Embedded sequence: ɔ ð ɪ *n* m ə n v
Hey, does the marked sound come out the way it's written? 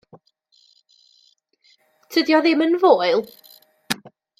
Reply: no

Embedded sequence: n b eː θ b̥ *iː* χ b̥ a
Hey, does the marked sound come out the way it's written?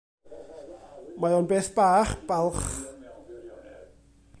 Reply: no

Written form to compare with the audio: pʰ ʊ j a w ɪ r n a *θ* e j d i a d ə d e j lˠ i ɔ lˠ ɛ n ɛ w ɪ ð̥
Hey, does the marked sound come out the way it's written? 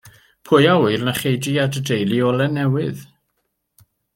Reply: no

